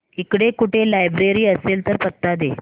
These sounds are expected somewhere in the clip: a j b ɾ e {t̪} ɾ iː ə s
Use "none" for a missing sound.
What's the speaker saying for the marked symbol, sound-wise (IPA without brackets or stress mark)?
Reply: none